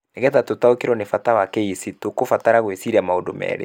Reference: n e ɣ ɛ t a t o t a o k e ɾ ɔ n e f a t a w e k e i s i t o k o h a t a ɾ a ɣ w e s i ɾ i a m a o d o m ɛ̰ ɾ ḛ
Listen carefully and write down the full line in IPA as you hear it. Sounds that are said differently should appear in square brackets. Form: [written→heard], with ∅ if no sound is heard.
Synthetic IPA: n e ɣ ɛ t a t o t a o k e ɾ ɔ n e f a t a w [e→a] k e i s i t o k o [h→f] a t a ɾ a ɣ w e s i ɾ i a m a o d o m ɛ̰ ɾ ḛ